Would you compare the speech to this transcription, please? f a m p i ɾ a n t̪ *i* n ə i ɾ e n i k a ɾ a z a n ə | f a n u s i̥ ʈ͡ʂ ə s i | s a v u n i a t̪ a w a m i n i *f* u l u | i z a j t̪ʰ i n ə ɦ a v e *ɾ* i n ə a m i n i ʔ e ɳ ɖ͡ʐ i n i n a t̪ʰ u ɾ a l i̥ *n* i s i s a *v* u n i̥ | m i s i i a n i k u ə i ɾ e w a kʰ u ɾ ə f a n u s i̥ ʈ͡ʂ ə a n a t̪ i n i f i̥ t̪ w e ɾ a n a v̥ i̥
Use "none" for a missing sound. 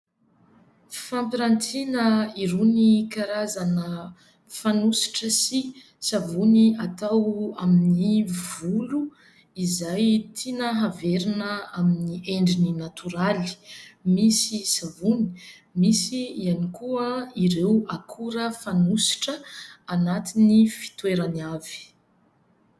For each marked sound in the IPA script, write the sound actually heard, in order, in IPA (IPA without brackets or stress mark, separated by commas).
i, v, ɾ, m, v